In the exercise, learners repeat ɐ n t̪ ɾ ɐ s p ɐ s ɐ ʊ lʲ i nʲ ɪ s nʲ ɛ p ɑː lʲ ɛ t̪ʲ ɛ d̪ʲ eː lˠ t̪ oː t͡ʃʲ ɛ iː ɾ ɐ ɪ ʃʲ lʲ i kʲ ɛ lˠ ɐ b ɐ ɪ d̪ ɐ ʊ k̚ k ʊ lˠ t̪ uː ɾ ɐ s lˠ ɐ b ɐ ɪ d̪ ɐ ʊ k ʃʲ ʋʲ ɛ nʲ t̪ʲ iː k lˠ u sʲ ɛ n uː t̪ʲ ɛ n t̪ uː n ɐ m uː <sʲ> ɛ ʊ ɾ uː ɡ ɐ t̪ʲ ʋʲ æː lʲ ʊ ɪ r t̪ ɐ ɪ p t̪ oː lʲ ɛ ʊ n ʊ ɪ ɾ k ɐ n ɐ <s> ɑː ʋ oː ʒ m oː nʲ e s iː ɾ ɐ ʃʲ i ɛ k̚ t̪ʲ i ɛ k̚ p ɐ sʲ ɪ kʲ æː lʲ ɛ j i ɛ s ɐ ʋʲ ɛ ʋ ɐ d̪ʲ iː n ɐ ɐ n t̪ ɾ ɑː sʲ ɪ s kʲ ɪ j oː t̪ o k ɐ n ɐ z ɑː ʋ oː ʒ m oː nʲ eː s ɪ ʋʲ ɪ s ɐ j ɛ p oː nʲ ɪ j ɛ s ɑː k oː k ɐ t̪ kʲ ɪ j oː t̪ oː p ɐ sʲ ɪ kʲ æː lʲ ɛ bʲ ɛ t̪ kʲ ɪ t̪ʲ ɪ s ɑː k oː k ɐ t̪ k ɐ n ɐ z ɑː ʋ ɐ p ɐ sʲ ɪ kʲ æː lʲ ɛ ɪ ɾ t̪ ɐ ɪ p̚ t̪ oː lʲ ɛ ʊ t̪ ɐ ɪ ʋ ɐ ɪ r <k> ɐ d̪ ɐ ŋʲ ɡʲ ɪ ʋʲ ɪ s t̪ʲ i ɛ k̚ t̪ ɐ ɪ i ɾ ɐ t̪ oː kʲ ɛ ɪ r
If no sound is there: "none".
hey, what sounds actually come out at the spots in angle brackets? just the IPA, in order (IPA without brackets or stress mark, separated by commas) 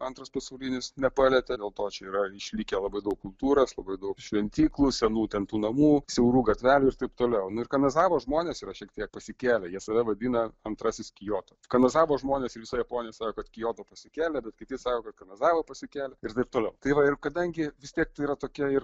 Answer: sʲ, z, k